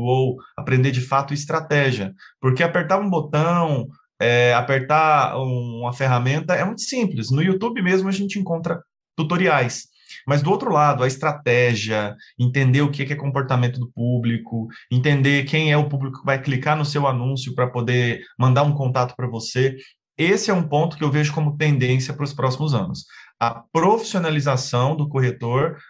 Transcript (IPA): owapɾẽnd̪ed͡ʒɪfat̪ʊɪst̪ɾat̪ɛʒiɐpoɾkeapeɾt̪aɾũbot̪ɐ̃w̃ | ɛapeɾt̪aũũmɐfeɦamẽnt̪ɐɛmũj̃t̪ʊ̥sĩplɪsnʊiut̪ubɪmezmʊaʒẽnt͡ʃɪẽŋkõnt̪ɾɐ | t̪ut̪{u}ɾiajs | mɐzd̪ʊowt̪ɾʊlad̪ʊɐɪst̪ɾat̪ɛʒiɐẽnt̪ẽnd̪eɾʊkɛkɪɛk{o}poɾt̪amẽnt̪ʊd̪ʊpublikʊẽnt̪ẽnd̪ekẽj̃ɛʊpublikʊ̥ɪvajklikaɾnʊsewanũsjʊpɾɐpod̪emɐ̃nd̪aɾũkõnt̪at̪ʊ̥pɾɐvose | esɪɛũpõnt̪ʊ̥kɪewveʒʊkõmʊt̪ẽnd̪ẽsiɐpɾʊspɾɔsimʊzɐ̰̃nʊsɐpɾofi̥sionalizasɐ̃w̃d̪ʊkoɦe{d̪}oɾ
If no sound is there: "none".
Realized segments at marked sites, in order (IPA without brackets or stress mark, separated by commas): o, õ, t̪